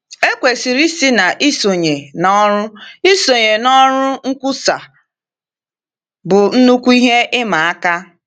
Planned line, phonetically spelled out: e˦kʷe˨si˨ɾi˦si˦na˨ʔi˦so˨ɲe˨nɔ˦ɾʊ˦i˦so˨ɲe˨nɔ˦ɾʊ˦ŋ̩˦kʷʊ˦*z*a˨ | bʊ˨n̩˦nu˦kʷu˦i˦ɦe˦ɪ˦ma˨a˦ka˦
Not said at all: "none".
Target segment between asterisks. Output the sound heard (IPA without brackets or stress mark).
s